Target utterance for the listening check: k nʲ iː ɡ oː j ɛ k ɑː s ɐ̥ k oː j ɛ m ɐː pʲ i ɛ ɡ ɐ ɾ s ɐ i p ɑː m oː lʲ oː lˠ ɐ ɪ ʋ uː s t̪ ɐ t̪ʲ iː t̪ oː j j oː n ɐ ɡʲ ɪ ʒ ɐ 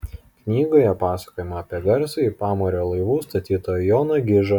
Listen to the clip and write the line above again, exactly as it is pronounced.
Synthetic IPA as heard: k nʲ iː ɡ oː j ɛ p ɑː s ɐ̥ k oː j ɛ m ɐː pʲ i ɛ ɡ ɐ ɾ s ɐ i p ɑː m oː ɾʲ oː lˠ ɐ ɪ ʋ uː s t̪ ɐ t̪ʲ iː t̪ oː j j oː n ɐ ɡʲ ɪ ʒ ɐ